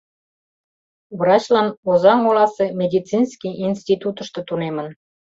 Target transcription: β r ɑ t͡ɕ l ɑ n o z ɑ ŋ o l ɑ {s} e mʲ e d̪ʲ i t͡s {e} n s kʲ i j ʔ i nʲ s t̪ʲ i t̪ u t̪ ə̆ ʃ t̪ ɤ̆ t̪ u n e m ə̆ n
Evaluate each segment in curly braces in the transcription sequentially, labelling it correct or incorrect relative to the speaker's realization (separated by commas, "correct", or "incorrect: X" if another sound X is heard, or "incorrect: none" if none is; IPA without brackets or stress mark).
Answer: correct, incorrect: i